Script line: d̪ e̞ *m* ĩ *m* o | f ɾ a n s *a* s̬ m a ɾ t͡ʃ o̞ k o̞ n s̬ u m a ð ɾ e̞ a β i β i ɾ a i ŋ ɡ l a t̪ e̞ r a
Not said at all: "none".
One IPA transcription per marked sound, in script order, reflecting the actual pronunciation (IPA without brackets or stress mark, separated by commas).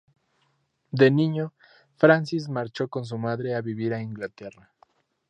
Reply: n, ɲ, i